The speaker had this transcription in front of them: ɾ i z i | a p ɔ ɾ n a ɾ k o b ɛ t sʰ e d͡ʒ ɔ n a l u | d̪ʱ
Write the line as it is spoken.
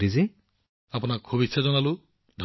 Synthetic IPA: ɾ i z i | a p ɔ n a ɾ kʰ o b i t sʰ a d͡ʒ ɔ n a l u | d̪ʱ